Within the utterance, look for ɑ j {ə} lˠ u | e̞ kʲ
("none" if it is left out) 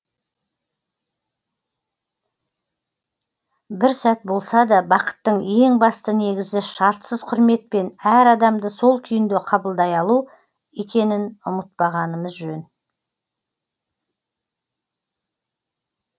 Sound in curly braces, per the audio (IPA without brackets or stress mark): ɑ